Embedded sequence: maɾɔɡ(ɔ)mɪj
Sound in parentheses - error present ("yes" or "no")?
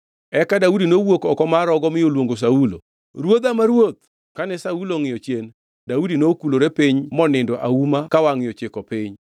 no